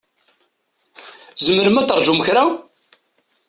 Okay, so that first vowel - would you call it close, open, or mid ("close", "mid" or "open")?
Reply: mid